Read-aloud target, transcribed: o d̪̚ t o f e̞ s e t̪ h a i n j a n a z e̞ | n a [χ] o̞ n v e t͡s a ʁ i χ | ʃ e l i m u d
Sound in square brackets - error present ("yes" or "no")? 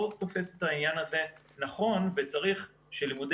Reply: no